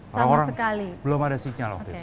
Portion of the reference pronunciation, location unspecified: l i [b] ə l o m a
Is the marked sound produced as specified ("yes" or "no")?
yes